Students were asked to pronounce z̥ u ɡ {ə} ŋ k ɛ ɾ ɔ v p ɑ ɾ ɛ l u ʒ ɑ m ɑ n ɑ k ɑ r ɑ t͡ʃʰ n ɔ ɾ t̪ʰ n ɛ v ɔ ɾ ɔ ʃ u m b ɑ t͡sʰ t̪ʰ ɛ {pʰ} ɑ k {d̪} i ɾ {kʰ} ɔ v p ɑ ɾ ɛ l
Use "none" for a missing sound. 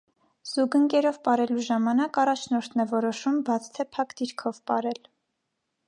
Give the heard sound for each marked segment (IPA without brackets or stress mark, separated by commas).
ə, pʰ, d̪, kʰ